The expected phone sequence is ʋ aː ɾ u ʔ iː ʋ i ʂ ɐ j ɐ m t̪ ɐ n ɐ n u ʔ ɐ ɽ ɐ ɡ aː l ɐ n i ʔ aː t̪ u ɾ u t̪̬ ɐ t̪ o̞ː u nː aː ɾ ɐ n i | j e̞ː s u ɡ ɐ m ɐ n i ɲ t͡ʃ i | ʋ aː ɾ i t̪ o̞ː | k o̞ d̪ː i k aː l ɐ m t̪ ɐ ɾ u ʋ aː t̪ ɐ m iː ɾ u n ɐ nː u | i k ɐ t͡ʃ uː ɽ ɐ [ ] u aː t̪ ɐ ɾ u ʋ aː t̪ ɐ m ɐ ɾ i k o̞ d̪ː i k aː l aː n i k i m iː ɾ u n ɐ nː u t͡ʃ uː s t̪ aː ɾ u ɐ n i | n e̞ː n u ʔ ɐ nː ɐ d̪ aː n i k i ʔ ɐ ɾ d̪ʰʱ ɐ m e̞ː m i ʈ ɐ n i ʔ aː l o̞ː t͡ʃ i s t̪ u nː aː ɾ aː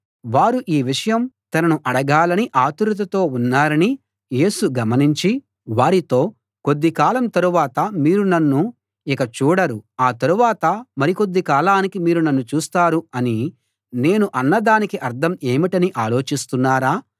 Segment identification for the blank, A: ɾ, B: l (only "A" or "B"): A